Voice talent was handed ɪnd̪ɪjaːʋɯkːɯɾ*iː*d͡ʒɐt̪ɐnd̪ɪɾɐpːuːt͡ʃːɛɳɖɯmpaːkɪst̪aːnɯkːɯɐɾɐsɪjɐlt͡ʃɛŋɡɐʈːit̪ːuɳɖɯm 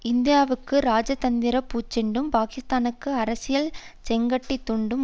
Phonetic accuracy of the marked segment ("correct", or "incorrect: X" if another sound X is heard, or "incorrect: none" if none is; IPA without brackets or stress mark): incorrect: aː